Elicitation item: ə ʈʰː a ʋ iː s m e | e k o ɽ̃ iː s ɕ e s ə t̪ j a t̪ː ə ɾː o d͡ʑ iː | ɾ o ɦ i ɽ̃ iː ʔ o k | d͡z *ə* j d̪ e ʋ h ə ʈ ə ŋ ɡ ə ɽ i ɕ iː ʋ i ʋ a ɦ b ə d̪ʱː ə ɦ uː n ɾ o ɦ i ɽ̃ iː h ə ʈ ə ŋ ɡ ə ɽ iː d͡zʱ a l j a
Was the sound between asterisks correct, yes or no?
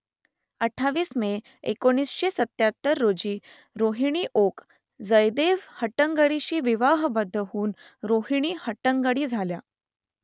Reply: yes